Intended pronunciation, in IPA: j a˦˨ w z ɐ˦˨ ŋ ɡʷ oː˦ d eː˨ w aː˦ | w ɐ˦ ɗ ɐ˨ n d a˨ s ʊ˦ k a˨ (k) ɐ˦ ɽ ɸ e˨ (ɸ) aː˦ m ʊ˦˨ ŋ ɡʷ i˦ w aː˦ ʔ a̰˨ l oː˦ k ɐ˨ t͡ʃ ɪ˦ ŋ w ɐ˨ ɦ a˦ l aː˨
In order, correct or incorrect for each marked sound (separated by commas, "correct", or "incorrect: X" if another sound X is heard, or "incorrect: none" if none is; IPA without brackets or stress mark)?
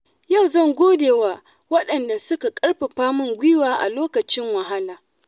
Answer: incorrect: kʼ, correct